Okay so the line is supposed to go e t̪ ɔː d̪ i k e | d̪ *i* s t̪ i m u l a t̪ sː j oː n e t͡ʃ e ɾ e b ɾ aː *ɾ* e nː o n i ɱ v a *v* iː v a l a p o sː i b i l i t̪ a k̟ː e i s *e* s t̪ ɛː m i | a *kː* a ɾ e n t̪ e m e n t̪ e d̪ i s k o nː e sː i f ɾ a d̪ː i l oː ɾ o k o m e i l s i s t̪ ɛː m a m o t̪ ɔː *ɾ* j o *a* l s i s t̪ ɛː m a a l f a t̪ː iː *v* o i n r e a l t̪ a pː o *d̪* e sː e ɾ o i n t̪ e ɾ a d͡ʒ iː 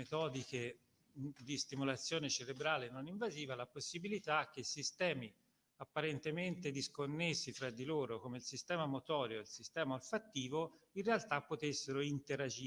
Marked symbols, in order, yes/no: yes, no, no, no, no, yes, no, yes, no

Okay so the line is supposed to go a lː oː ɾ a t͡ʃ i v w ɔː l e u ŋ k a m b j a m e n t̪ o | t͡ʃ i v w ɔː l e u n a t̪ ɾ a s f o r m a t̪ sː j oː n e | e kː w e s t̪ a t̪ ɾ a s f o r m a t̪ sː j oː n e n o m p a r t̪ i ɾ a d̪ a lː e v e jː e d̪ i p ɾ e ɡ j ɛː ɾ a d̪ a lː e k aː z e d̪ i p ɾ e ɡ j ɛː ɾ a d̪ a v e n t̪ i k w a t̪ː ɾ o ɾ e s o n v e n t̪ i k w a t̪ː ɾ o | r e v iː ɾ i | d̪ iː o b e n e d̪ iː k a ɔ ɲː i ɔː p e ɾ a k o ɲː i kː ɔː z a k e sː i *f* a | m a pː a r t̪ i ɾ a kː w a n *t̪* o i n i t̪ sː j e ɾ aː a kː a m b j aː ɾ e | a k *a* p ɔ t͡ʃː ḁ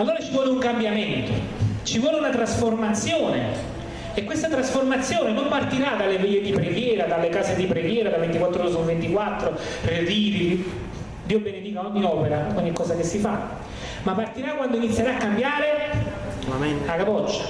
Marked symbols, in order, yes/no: yes, no, yes

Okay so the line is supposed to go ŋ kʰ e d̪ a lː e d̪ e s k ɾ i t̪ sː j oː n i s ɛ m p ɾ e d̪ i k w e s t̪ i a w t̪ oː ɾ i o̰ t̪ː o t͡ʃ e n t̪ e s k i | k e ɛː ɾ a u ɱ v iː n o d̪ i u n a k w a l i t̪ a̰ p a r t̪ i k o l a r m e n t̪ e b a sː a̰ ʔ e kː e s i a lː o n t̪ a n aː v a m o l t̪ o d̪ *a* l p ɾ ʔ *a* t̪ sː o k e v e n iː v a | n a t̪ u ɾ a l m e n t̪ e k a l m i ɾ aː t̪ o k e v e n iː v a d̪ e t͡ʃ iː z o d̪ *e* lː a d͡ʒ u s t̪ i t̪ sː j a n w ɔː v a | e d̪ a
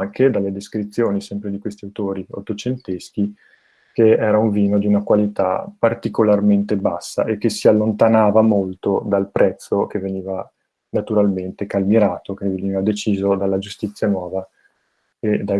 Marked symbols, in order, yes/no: yes, no, no

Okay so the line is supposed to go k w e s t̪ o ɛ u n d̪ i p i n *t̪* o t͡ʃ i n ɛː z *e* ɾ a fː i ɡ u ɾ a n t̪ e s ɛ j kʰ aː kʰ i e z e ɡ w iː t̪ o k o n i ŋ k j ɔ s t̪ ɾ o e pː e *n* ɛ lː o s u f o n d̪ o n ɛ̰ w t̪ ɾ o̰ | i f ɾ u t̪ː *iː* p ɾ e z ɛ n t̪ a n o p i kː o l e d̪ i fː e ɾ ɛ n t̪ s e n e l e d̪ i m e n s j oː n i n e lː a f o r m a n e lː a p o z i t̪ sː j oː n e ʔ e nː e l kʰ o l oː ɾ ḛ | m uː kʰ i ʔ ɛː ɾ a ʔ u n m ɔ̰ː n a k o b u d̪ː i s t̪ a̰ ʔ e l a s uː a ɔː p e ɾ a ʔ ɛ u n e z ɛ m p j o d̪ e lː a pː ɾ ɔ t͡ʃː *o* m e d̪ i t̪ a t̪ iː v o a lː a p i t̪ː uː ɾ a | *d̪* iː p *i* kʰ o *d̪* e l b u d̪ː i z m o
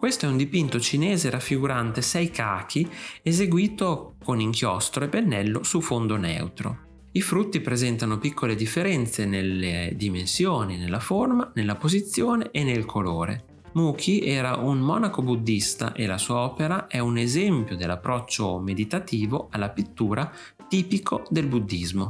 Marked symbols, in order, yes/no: yes, yes, no, no, yes, no, yes, yes

